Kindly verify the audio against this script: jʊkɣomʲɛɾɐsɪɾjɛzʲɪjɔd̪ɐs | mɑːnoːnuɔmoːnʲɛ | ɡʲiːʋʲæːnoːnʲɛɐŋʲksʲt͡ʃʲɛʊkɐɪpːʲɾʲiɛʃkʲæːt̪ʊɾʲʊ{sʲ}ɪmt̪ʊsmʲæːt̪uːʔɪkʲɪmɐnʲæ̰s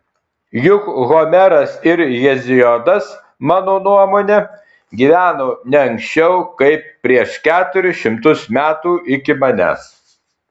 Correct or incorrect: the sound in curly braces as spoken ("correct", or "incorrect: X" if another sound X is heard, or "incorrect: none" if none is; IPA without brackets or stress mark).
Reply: incorrect: ʃʲ